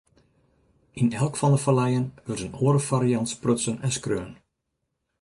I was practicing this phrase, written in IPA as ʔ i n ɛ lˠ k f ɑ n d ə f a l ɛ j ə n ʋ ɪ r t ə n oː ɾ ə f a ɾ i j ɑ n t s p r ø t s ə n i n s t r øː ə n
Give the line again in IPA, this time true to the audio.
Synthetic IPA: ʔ i n ɛ lˠ k f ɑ n d ə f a l ɛ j ə n ʋ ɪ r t ə n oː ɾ ə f a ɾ i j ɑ n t s p r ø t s ə n ɛ n s k r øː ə n